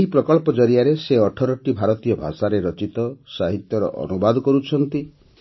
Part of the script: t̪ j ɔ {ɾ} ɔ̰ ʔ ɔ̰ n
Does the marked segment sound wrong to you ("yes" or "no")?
no